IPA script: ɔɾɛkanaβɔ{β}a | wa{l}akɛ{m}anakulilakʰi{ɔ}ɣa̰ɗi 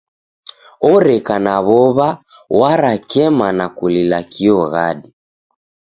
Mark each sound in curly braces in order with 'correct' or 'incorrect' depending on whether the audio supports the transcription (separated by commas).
correct, incorrect, correct, correct